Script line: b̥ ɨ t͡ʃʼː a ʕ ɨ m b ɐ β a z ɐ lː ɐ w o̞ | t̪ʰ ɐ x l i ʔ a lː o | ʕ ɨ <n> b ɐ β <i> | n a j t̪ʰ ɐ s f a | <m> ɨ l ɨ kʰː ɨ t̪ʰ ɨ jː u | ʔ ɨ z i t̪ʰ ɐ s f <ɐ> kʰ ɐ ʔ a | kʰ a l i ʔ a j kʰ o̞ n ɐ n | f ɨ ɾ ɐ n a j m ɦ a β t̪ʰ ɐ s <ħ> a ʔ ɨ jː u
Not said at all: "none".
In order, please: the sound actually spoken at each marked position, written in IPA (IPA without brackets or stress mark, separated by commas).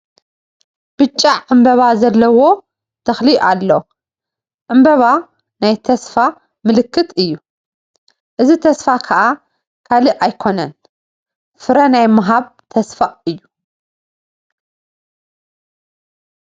m, a, m, a, f